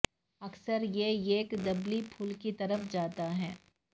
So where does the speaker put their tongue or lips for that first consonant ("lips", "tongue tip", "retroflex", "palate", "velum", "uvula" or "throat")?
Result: velum